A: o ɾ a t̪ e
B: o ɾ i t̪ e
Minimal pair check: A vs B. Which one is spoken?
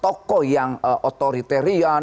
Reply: B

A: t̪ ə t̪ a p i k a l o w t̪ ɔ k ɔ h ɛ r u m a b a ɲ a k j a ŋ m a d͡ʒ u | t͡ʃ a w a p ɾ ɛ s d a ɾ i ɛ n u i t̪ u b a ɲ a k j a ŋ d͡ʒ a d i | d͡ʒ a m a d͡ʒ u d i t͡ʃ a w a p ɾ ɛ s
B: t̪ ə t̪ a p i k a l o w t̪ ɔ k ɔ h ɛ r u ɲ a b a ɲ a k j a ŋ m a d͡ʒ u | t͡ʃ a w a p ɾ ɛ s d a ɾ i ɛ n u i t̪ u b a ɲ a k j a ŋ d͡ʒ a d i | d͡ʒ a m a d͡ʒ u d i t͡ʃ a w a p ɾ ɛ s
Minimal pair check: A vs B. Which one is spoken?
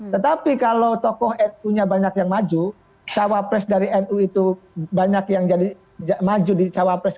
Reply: B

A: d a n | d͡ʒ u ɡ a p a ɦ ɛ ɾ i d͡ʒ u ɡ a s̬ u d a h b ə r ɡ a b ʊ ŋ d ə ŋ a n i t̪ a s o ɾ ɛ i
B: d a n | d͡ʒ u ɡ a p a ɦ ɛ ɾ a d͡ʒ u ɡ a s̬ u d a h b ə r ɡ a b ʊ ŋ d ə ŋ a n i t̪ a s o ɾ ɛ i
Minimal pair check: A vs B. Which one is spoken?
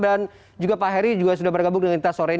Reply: A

